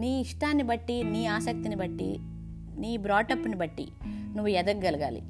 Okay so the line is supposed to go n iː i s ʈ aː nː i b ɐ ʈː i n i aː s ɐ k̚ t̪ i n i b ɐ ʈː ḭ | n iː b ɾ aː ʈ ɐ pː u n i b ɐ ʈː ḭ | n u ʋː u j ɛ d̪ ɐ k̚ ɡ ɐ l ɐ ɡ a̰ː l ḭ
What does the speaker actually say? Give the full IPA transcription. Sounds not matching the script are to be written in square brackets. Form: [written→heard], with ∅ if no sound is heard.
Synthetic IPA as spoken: n iː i [s→ʂ] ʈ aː nː i b ɐ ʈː i n [i→iː] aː s ɐ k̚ t̪ i n i b ɐ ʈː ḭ | n iː b ɾ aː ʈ ɐ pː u n i b ɐ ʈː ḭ | n u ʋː u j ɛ d̪ ɐ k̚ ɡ ɐ l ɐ ɡ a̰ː l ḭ